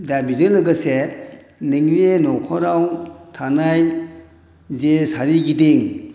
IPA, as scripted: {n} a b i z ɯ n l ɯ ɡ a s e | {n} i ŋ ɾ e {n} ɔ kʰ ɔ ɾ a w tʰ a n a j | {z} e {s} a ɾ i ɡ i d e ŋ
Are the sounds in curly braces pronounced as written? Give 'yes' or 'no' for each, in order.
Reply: no, yes, yes, yes, yes

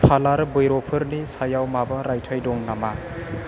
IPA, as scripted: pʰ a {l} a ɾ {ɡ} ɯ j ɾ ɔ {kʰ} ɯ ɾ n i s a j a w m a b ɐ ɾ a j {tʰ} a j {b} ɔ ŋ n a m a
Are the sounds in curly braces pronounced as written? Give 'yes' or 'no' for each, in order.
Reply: yes, no, no, yes, no

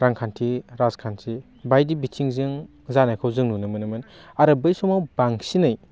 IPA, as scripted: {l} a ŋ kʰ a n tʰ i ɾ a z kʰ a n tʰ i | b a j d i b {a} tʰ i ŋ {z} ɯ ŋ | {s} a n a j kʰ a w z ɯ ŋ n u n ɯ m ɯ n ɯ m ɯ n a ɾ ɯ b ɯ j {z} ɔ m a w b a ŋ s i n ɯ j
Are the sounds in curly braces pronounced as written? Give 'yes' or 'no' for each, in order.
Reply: no, no, yes, no, no

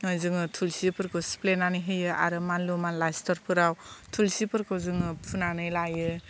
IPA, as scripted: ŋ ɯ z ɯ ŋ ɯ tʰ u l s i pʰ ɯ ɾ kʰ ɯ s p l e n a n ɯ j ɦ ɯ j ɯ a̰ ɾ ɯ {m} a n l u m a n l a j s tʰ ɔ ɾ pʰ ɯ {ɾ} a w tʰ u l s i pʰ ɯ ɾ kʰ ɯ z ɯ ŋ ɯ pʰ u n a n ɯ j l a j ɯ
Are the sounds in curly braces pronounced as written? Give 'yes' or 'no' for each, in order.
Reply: yes, yes

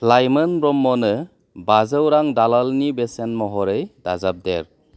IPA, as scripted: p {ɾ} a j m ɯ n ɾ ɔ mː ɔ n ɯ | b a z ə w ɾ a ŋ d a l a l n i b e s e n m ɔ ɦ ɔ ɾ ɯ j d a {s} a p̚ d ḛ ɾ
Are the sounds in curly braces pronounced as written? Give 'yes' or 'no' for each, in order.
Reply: no, no

